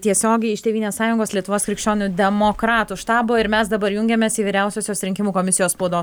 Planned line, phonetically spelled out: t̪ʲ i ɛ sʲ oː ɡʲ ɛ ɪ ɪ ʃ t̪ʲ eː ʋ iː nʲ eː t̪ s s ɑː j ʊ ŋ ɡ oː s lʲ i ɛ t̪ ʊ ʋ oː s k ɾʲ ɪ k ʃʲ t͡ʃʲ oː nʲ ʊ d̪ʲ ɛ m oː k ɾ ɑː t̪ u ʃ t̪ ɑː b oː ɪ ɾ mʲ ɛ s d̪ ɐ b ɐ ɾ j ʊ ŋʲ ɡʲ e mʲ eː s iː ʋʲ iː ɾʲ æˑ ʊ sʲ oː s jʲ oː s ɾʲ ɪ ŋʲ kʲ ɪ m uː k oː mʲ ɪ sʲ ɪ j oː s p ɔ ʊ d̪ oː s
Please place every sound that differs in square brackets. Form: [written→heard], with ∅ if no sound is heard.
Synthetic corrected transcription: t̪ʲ i ɛ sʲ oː ɡʲ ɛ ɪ ɪ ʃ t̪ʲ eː ʋ iː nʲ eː [t̪→∅] s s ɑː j ʊ ŋ ɡ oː s lʲ i ɛ t̪ ʊ ʋ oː s k ɾʲ ɪ k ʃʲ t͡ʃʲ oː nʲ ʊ d̪ʲ ɛ m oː k ɾ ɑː t̪ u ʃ t̪ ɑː b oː ɪ ɾ mʲ ɛ s d̪ ɐ b ɐ ɾ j ʊ ŋʲ ɡʲ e mʲ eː s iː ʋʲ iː ɾʲ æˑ ʊ sʲ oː s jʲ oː s ɾʲ ɪ ŋʲ kʲ ɪ m uː k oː mʲ ɪ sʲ ɪ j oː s p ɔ ʊ d̪ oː s